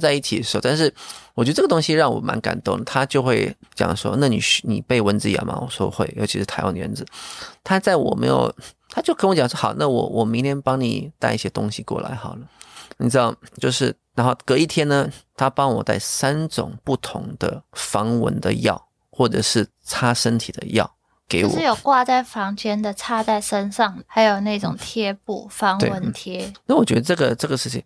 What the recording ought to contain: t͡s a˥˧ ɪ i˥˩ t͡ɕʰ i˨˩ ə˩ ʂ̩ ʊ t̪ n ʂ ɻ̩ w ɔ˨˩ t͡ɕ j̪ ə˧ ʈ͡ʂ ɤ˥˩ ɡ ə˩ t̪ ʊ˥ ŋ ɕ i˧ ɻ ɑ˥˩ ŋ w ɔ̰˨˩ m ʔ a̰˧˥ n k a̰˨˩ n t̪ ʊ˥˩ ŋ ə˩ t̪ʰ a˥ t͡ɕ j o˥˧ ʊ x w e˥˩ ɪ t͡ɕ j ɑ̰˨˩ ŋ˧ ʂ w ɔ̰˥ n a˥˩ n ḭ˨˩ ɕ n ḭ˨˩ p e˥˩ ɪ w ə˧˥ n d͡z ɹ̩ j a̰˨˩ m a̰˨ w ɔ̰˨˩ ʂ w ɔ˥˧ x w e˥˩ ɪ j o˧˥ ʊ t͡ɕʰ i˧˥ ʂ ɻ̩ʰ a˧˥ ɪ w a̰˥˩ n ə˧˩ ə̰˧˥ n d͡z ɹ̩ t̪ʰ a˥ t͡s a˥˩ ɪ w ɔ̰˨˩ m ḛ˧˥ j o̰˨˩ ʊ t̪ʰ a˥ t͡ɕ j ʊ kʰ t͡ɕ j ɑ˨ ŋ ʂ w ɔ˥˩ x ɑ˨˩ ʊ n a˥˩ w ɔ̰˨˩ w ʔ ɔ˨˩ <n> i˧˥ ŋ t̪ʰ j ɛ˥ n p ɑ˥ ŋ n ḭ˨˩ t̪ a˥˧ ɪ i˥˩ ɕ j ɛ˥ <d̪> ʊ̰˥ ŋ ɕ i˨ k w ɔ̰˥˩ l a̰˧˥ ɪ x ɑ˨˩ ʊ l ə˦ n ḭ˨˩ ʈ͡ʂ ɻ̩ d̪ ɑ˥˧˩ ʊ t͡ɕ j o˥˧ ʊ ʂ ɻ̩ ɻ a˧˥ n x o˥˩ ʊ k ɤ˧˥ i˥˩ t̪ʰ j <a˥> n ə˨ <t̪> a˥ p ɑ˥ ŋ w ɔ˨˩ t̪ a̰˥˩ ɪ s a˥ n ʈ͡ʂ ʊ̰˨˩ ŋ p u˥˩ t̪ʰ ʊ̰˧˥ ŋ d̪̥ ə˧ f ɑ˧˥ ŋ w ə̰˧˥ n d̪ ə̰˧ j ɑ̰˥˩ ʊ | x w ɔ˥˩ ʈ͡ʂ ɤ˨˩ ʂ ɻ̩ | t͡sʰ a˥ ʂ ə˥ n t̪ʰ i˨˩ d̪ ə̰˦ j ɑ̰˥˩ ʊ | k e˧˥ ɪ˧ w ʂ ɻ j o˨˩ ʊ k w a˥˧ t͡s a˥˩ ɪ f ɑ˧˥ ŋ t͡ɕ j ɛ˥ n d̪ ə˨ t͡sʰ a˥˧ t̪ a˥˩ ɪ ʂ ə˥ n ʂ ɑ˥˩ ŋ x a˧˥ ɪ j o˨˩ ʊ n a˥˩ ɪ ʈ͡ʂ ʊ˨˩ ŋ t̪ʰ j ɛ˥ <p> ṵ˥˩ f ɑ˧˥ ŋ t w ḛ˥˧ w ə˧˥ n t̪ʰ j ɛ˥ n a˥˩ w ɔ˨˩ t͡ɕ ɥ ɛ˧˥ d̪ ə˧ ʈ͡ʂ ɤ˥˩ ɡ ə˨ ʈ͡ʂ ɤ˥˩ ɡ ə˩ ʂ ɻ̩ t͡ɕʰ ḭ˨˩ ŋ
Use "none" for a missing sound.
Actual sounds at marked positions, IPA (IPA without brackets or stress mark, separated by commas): m, t̪, ɛ˥, t̪ʰ, p